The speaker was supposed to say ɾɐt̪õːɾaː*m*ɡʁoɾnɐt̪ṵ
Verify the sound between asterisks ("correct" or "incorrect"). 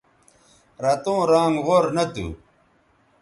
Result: incorrect